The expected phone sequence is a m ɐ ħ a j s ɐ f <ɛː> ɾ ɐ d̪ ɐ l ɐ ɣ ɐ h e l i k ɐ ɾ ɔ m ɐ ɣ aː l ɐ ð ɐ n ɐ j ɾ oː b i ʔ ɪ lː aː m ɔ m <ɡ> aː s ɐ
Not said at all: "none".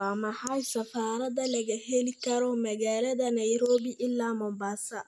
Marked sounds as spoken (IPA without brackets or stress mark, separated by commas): aː, b